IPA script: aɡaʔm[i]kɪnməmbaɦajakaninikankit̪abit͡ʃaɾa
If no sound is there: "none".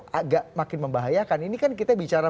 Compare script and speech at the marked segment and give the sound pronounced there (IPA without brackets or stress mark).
a